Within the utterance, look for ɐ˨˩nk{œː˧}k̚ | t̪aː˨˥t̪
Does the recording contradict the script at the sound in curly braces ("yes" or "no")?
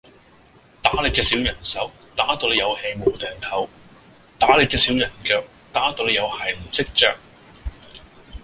no